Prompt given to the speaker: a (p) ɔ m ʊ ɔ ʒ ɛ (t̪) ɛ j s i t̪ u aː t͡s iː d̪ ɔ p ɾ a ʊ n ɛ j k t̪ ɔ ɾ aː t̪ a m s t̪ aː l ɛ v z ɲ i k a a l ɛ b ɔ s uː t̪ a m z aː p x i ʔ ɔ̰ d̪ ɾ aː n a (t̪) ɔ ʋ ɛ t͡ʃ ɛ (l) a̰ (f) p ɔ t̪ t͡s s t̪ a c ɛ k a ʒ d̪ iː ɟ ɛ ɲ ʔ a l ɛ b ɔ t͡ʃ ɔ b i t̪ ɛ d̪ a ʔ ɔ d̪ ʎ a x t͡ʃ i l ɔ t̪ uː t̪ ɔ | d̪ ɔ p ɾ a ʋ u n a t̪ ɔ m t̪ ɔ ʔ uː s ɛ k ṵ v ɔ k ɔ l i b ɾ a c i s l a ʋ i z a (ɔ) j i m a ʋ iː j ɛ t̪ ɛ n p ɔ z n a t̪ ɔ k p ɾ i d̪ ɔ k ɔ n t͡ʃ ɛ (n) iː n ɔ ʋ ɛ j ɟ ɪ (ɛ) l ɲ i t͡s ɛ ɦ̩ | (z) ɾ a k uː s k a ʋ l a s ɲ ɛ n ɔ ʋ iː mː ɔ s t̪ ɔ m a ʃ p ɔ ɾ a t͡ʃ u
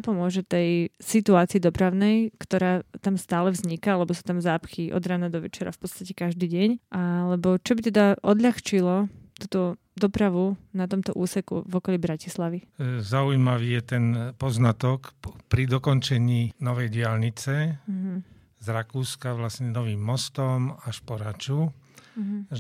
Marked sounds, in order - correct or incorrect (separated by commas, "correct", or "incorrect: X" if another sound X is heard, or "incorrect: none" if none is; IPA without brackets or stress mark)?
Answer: correct, correct, incorrect: d̪, incorrect: ɾ, correct, incorrect: u, incorrect: ɲ, incorrect: a, correct